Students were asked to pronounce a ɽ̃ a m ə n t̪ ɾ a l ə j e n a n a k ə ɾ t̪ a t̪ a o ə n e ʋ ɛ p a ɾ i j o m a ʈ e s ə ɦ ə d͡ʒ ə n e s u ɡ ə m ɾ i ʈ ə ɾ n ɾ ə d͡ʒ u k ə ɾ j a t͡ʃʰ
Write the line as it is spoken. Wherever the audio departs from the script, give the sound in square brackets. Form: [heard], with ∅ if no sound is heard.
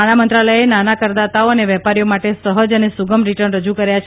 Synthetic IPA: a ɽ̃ a m ə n t̪ ɾ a l ə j e n a n a k ə ɾ [d̪] a t̪ a o ə n e ʋ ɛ p a ɾ i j o m a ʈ e s ə ɦ ə d͡ʒ ə n e s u ɡ ə m ɾ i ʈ ə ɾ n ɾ ə d͡ʒ u k ə ɾ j a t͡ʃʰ